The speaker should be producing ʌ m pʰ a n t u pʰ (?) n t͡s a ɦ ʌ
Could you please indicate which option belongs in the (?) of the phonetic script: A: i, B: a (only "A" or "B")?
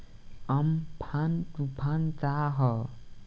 B